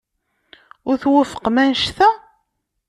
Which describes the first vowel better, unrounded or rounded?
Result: rounded